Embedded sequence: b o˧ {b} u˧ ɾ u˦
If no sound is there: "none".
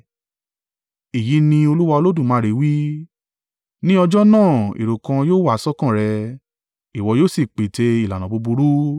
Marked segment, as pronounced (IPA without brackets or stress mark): b